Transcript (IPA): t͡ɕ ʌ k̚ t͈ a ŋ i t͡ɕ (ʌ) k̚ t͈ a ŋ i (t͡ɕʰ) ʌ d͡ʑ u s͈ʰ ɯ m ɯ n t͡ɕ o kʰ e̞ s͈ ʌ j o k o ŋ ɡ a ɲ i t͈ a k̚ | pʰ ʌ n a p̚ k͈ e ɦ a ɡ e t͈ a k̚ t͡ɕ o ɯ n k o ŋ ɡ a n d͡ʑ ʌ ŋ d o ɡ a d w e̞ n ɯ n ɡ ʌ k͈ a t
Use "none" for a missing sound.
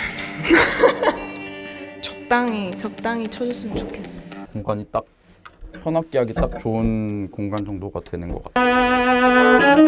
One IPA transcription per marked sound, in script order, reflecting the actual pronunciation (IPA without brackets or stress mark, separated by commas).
ʌ, t͡ɕʰ